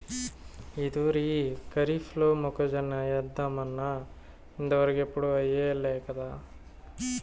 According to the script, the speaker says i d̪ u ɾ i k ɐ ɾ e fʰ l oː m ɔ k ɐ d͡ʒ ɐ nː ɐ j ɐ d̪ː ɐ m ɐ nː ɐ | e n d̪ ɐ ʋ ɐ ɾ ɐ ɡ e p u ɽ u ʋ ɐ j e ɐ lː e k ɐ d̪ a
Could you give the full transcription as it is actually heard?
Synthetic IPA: i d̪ u ɾ i k ɐ ɾ i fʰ l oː m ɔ k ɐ d͡ʒ ɐ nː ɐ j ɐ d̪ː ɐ m ɐ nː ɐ | i n d̪ ɐ ʋ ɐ ɾ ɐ ɡ e p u ɽ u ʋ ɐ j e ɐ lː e k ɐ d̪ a